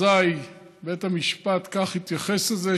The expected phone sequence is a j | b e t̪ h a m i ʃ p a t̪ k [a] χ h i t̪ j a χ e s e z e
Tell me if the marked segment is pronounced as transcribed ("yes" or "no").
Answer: yes